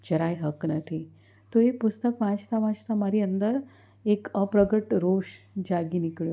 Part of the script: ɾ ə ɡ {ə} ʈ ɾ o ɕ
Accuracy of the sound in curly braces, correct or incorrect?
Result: correct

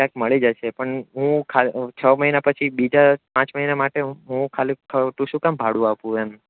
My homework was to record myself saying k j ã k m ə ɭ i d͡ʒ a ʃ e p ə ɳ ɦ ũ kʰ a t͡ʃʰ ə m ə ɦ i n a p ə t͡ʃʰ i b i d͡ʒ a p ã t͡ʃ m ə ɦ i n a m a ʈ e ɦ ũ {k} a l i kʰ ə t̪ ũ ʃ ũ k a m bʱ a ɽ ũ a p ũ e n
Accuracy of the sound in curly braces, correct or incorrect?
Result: incorrect: kʰ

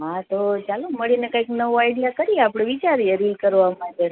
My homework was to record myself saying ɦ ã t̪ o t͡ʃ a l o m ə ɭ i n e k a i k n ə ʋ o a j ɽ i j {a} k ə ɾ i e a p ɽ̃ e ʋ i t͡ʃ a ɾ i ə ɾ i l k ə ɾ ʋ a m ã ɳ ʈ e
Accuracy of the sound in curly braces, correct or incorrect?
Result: correct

